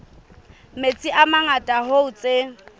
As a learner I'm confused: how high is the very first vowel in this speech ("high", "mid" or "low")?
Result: mid